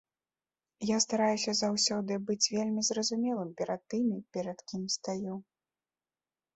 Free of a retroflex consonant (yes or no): yes